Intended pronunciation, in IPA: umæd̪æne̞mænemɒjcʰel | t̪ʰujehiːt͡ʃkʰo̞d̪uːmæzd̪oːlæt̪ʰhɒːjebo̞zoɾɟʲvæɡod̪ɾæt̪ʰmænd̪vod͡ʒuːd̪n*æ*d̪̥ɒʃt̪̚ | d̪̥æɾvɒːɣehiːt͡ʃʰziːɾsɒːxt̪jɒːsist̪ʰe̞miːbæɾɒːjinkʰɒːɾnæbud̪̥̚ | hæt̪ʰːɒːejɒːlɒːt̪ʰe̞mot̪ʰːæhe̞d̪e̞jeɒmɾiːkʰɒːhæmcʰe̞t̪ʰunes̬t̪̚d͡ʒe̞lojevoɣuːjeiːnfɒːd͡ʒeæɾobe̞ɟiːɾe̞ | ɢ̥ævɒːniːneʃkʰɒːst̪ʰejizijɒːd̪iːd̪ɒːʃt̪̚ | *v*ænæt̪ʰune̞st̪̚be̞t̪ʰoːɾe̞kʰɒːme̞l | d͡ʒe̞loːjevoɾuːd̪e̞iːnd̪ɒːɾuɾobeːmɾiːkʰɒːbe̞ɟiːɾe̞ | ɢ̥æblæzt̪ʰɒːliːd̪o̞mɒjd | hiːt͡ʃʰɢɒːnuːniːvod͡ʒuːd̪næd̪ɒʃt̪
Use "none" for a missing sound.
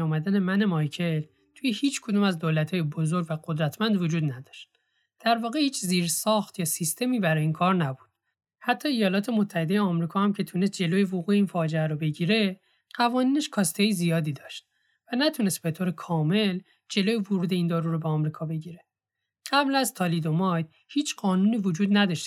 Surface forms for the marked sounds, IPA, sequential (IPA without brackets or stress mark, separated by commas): æ, v